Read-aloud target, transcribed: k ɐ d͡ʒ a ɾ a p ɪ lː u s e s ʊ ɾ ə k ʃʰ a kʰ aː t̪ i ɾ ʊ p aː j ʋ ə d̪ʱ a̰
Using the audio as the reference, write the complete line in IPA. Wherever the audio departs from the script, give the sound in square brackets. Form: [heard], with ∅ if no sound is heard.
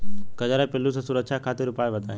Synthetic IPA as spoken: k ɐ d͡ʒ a ɾ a p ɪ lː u s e s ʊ ɾ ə k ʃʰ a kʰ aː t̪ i ɾ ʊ p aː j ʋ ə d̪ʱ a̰